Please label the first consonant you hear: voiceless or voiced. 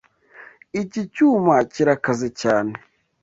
voiceless